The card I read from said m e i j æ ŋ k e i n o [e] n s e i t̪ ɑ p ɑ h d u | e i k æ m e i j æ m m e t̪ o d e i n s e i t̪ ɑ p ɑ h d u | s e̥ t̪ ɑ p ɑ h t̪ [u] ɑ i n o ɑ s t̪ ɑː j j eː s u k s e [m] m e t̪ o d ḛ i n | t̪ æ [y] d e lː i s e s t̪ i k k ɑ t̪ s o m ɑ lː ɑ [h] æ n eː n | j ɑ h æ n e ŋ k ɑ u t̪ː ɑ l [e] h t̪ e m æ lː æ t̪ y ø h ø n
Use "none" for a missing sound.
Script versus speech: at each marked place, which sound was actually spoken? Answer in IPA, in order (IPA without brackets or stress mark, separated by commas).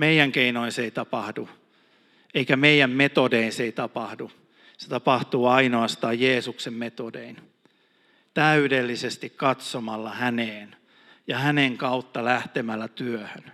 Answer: i, uː, m, y, h, æ